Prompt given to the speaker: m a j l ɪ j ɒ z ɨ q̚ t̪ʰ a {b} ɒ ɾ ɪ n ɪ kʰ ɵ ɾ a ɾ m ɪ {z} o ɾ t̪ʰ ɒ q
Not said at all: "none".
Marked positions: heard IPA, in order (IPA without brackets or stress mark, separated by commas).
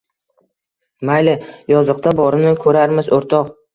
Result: b, z